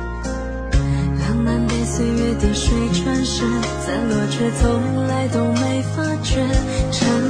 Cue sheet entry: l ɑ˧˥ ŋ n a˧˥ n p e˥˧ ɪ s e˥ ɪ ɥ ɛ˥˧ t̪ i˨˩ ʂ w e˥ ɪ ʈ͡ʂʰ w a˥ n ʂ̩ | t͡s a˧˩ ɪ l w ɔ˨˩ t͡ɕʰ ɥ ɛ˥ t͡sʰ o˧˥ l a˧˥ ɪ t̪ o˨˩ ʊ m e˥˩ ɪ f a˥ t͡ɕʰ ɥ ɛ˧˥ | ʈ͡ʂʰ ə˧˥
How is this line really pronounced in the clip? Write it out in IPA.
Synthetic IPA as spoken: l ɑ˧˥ ŋ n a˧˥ n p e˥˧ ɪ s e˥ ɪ ɥ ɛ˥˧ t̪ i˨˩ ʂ w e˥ ɪ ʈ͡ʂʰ w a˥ n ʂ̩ | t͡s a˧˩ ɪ l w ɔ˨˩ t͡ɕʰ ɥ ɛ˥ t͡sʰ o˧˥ l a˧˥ ɪ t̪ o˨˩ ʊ m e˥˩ ɪ f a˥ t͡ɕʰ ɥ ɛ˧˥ | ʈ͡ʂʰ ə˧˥